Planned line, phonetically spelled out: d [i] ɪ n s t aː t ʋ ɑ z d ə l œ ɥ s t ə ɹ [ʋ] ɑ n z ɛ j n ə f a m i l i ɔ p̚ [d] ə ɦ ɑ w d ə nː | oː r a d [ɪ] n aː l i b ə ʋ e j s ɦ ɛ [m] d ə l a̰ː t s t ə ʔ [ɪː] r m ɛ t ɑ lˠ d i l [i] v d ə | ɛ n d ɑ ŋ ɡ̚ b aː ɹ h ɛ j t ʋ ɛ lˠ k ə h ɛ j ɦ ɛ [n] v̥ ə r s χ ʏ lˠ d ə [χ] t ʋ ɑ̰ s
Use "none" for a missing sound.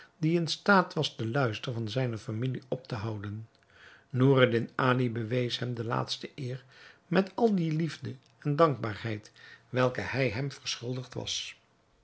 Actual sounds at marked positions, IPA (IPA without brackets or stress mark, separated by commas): i, v, t, ɪ, m, ɪː, i, m, χ